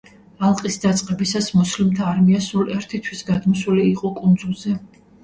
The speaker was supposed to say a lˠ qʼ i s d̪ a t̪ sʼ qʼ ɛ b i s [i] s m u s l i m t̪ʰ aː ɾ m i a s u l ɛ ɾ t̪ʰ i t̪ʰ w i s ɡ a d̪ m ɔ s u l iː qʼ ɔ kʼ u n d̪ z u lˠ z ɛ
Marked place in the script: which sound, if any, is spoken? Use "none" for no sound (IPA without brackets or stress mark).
a